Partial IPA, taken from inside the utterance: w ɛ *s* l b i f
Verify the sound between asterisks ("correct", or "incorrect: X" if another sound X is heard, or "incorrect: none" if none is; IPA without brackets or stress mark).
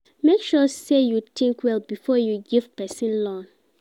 incorrect: none